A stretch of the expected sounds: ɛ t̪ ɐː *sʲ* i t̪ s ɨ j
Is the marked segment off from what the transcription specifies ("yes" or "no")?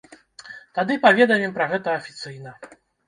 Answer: yes